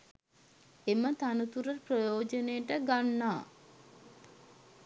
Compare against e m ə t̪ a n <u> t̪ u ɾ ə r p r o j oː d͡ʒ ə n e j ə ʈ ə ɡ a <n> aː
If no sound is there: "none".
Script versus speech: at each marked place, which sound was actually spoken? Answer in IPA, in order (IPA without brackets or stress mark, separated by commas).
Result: u, nː